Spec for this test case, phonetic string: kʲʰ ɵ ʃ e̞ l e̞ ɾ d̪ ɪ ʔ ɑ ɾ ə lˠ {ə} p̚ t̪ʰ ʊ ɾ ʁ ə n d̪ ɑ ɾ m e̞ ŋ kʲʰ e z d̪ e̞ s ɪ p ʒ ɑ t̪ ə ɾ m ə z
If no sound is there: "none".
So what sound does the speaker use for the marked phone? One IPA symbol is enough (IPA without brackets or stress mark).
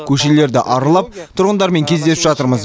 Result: ɑ